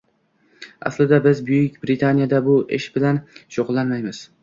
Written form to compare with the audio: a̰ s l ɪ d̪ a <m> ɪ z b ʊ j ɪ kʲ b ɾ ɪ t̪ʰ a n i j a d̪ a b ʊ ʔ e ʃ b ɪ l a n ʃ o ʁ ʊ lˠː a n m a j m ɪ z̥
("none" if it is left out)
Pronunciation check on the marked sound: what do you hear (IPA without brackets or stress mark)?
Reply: b